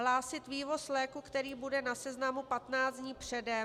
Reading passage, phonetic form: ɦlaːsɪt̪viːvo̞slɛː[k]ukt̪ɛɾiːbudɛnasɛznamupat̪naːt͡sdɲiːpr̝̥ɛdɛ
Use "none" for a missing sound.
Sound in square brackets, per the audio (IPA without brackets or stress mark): k